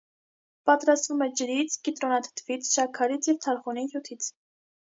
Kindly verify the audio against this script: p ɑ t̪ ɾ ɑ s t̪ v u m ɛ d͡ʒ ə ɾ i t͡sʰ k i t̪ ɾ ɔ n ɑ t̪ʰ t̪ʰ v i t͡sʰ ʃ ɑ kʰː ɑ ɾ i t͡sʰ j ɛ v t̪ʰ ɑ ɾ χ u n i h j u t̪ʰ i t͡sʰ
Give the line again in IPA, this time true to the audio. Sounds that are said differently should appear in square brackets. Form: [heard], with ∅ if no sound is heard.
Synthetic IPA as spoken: p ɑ t̪ ɾ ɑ s t̪ v u m ɛ d͡ʒ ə ɾ i t͡sʰ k i t̪ ɾ ɔ n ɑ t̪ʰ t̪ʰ v i t͡sʰ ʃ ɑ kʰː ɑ ɾ i t͡sʰ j ɛ v t̪ʰ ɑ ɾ χ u n i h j u t̪ʰ i t͡sʰ